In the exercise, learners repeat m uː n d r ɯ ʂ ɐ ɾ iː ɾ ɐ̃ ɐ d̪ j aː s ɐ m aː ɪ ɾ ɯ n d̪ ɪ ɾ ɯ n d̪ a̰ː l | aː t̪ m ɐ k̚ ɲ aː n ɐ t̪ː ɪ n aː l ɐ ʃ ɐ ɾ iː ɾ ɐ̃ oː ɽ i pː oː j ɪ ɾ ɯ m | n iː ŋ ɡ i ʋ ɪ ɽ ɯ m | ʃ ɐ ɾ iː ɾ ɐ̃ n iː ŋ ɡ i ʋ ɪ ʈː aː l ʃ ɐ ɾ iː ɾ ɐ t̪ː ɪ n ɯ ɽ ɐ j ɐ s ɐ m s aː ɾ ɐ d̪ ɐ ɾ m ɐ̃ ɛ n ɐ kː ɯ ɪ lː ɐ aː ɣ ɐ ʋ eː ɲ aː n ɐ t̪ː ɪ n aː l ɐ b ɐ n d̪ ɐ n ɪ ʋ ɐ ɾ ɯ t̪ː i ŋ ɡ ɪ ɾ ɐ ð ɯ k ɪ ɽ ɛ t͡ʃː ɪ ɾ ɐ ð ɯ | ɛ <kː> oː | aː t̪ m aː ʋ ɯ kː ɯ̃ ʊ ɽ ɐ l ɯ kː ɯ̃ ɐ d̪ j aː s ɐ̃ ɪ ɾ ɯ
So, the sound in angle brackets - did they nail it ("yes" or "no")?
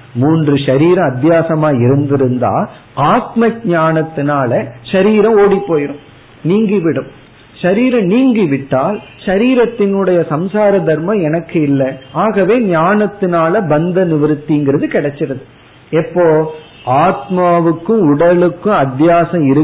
no